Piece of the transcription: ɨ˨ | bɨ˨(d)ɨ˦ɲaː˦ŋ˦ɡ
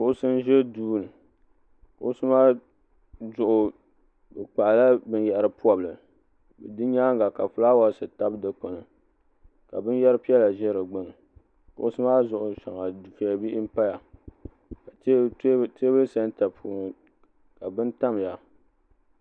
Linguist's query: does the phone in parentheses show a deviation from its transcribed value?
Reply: no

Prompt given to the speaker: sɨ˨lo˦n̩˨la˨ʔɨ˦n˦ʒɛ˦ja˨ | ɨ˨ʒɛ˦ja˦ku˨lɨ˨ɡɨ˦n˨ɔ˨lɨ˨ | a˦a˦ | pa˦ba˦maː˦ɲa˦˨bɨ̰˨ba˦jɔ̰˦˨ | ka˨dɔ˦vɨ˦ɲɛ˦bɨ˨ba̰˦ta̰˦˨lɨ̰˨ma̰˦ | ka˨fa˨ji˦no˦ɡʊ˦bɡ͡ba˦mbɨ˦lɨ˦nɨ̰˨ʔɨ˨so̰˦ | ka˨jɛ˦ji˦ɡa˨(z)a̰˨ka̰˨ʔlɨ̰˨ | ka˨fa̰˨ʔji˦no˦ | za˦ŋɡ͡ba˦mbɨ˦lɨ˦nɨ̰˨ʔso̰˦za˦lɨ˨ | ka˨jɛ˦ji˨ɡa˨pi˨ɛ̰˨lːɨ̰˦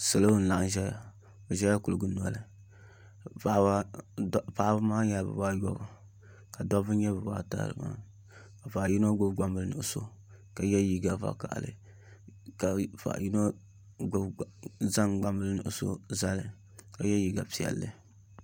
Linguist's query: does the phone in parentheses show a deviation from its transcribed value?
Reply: yes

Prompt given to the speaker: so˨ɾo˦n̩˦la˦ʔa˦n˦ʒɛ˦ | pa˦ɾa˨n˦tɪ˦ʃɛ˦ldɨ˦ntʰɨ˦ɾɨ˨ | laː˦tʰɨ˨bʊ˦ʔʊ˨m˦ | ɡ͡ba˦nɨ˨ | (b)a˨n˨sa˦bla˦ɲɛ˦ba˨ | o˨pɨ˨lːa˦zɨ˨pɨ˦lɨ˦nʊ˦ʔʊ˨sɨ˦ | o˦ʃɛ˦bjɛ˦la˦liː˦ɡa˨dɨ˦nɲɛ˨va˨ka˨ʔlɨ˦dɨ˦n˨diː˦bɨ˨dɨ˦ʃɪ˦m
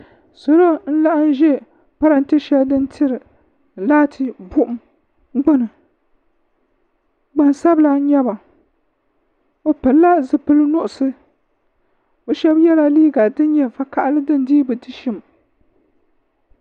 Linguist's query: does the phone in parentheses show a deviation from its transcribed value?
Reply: yes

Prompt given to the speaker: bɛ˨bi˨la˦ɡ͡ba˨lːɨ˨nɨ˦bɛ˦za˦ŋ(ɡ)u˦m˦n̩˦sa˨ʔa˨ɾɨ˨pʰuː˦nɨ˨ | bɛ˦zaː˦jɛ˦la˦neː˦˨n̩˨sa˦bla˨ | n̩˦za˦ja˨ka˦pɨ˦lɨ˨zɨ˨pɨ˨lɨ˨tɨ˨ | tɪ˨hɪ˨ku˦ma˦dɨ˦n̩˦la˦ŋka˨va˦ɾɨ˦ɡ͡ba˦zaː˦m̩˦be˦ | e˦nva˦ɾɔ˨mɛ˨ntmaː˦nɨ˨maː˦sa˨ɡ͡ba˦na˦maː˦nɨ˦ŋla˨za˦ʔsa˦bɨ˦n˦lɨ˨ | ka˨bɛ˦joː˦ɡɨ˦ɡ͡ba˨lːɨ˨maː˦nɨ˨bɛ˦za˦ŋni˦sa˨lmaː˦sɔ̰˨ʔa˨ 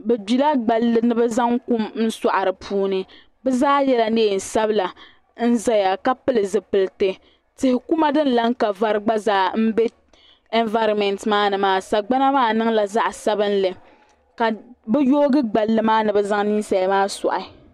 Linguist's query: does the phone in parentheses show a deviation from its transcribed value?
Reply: yes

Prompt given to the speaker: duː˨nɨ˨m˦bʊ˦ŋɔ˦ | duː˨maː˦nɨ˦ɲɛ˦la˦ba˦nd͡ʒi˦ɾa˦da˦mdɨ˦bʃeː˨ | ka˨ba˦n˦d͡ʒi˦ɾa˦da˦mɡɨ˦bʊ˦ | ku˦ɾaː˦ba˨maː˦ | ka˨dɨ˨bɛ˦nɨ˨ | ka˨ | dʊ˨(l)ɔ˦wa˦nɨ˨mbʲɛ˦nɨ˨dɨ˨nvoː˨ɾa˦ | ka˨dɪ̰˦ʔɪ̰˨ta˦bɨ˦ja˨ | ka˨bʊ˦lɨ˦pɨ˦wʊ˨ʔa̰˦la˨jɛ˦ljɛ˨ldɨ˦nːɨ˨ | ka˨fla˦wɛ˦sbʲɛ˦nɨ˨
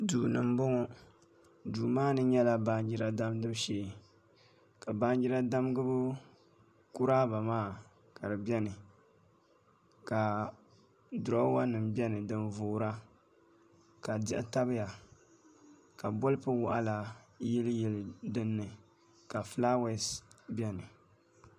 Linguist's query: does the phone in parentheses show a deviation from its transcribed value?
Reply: yes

